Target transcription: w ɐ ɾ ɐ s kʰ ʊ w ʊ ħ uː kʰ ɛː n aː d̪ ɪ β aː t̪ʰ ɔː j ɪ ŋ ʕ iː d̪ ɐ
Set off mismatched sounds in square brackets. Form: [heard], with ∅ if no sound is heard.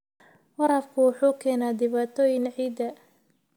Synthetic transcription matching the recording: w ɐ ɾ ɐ [f] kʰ ʊ w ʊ ħ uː kʰ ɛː n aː d̪ ɪ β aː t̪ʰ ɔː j ɪ ŋ ʕ iː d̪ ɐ

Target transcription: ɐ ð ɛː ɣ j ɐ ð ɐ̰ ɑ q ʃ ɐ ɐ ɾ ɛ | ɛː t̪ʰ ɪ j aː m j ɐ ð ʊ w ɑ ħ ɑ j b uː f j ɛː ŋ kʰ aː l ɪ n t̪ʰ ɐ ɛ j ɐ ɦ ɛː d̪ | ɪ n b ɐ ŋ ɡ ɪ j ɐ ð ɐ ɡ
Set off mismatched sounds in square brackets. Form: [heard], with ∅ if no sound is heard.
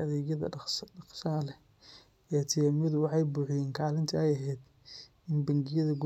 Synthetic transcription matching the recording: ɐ ð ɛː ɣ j ɐ ð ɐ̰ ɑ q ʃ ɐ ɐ [l] ɛ | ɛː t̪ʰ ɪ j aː m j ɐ ð ʊ w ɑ ħ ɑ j b uː [ħ] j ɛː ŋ kʰ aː l ɪ n t̪ʰ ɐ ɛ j ɐ ɦ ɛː d̪ | ɪ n b ɐ ŋ ɡ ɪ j ɐ ð ɐ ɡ

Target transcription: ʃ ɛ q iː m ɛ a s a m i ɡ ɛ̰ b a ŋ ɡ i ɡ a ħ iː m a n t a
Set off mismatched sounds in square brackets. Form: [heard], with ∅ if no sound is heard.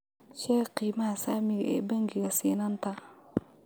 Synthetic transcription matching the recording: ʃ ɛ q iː m [a] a s a m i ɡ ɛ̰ b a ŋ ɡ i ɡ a [s] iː [n] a n t a

